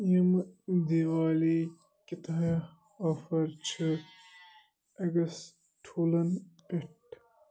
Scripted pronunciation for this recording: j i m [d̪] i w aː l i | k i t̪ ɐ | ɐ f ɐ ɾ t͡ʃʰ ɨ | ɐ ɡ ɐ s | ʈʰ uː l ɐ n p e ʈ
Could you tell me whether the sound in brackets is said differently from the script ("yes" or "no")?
no